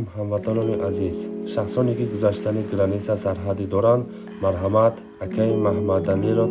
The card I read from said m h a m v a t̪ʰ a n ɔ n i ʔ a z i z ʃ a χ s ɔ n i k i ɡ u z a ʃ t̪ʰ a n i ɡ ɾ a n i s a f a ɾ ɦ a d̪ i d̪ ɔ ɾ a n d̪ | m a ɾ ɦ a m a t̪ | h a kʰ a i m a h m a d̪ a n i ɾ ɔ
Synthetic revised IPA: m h a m v a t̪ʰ a n ɔ n i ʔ a z i z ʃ a χ s ɔ n i k i ɡ u z a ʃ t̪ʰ a n i ɡ ɾ a n i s a s a ɾ ɦ a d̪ i d̪ ɔ ɾ a n d̪ | m a ɾ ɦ a m a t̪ | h a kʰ a i m a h m a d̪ a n i ɾ ɔ